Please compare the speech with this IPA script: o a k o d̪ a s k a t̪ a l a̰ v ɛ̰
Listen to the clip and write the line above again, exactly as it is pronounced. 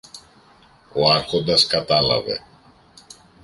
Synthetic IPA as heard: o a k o d̪ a s k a t̪ a l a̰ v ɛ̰